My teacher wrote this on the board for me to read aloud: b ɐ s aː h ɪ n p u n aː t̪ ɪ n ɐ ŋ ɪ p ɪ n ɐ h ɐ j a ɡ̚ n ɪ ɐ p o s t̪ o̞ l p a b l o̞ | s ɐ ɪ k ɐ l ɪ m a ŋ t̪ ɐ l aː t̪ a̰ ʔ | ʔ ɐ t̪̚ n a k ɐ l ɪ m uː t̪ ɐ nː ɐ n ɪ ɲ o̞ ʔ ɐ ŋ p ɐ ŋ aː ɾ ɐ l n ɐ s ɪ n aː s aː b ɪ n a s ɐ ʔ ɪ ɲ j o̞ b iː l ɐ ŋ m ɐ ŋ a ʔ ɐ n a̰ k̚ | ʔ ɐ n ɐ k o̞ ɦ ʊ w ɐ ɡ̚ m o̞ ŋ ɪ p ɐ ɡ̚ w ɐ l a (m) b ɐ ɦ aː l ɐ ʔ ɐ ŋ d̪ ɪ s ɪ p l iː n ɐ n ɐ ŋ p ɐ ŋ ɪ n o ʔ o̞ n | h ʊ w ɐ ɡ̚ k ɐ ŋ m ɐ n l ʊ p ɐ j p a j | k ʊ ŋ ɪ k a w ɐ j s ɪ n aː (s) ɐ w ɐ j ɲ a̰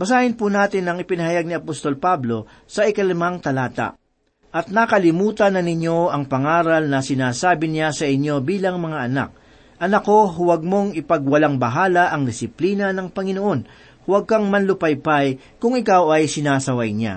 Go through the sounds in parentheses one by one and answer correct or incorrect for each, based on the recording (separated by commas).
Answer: incorrect, correct